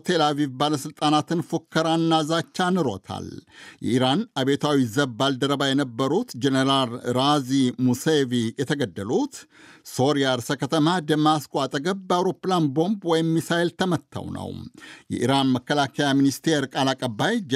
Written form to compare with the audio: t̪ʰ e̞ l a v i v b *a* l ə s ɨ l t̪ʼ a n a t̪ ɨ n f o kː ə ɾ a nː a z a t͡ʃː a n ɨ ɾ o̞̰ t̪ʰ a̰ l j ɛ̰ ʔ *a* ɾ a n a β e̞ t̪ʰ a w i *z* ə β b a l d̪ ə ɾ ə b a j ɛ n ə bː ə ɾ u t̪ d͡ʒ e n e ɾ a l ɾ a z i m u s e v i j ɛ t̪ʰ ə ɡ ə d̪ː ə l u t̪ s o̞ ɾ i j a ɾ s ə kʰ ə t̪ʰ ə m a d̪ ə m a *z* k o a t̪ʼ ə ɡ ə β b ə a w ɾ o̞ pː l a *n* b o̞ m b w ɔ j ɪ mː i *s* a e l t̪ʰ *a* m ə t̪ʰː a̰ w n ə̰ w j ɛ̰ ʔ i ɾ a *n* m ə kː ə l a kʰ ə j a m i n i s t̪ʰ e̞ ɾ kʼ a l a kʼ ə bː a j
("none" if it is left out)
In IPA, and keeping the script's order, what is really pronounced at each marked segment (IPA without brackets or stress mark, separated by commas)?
a, i, z, s, n, s, ə, n